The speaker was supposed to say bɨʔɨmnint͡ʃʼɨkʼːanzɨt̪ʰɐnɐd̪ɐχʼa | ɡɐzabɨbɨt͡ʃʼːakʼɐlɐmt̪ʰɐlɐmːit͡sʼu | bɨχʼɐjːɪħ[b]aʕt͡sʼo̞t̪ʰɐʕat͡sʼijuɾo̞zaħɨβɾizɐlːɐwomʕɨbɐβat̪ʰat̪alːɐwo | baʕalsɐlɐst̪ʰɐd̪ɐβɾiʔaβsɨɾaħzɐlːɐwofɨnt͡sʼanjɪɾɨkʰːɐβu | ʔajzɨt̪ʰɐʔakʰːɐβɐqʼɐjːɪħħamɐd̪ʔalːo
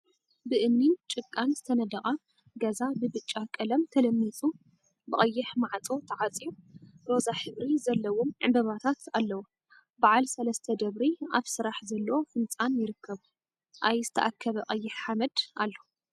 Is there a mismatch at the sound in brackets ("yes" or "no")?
yes